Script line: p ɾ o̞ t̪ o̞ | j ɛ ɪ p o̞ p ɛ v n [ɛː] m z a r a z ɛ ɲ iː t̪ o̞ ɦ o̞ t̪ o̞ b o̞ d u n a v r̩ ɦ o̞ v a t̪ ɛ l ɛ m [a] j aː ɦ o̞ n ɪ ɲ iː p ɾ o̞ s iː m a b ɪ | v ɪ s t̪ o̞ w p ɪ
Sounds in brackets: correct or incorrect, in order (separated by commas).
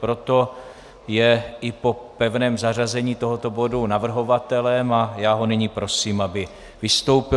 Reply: correct, correct